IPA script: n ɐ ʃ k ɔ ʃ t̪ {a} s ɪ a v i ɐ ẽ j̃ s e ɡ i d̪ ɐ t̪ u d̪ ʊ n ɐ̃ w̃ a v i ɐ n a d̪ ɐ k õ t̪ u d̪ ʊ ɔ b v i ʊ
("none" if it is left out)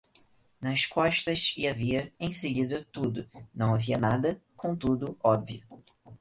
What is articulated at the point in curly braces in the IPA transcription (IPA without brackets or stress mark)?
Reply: ɐ